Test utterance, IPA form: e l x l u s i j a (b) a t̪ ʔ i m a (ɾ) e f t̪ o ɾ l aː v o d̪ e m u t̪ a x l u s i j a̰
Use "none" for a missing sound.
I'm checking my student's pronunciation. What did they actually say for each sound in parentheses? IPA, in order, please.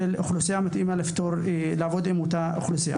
m, l

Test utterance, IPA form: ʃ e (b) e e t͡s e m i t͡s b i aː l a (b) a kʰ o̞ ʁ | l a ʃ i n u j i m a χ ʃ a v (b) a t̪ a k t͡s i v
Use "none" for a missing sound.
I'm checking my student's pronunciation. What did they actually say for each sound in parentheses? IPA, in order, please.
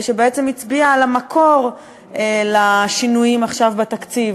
b, m, b

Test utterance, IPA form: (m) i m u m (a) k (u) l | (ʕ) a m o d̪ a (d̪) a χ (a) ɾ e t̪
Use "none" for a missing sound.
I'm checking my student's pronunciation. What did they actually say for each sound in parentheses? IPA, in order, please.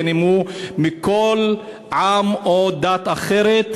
n, i, o, ʕ, t̪, e

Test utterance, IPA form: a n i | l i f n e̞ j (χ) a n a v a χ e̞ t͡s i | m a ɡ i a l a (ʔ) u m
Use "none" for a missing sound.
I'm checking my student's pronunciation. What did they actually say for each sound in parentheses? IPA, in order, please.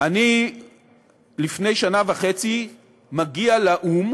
ʃ, ʔ

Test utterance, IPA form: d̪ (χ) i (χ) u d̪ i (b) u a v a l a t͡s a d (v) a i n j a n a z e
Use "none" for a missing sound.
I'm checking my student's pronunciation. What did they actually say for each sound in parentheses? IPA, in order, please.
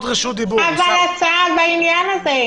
ʁ, ʃ, b, b

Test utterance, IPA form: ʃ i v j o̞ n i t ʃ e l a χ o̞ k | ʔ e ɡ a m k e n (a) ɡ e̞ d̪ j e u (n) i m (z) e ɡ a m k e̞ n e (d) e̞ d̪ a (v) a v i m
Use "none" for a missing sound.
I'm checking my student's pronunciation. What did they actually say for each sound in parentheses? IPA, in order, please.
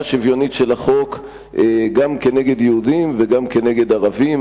e, d, v, ɡ, ʁ

